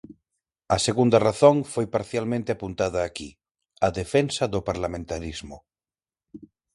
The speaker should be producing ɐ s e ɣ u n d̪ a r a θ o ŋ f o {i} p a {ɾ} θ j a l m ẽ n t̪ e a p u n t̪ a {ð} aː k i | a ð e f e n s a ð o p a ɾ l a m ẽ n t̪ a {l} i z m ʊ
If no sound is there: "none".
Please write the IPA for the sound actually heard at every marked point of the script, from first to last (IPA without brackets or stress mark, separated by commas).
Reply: j, ɾ, ð, ɾ